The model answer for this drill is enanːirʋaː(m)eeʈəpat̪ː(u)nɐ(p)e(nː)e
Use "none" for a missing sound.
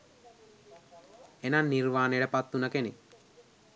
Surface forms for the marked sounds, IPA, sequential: n, u, k, n

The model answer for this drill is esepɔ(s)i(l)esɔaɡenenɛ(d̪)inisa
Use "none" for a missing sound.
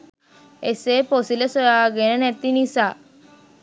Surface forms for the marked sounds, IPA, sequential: s, l, t̪

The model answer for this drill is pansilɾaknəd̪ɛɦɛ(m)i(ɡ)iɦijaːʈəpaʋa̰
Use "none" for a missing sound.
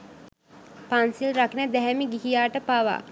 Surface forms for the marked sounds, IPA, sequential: m, ɡ

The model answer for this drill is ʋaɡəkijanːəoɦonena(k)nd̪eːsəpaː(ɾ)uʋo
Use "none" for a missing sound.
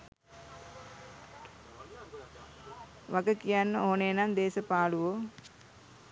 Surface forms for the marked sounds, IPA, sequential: none, l

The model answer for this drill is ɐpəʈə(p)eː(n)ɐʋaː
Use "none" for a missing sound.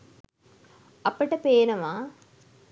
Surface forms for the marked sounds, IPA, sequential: p, n

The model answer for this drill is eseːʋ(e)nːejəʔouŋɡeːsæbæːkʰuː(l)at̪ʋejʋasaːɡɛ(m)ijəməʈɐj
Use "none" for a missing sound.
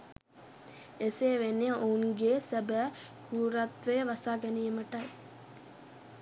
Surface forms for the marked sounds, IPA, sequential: e, ɾ, n

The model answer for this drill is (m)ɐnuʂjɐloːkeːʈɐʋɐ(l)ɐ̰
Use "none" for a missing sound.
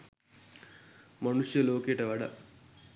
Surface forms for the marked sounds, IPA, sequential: m, ɽ

